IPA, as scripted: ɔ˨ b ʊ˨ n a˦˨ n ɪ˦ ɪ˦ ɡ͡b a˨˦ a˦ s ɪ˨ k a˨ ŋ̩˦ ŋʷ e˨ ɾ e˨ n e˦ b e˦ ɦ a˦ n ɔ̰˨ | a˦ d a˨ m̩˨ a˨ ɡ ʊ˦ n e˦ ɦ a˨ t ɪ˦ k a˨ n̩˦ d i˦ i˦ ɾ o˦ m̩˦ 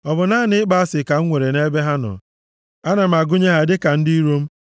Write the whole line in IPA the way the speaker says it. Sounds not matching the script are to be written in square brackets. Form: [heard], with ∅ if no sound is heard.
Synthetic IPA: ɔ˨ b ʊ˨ n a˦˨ n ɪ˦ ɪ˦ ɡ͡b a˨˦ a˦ s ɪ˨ k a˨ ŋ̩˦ ŋʷ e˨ ɾ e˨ n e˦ b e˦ ɦ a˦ n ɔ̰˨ | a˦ [n] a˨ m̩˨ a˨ ɡ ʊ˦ [ɲ] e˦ ɦ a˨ [d] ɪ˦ k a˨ n̩˦ d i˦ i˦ ɾ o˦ m̩˦